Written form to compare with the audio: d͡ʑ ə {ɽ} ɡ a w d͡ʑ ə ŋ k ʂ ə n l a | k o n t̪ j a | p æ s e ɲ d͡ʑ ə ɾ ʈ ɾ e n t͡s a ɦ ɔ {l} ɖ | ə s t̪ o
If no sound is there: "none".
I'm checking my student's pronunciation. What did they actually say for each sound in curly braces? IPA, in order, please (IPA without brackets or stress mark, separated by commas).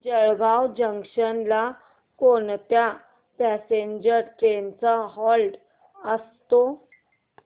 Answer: ɭ, l